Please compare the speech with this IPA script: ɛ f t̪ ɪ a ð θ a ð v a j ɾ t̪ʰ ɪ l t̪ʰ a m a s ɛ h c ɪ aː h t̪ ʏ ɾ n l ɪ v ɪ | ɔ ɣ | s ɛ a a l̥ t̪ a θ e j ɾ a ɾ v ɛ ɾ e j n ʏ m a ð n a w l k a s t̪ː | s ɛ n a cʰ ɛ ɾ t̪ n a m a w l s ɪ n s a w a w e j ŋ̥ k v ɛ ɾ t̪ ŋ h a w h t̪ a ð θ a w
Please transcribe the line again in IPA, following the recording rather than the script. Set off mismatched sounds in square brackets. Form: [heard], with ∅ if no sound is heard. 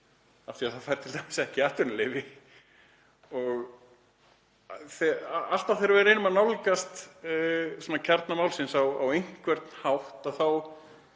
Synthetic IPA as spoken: [a] f t̪ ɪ a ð θ a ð [f] a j ɾ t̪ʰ ɪ l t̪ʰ a m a s ɛ h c ɪ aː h t̪ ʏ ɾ n l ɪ v ɪ | ɔ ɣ | [θ] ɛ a a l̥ t̪ a θ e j ɾ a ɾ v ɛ ɾ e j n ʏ m a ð n a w l k a s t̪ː | s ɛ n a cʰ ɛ ɾ t̪ n a m a w l s ɪ n s a w a w e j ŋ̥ k v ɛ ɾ t̪ [n] h a w h t̪ a ð θ a w